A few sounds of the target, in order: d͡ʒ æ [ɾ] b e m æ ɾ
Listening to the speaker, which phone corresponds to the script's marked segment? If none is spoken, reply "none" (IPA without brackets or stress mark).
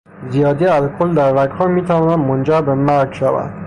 ɾ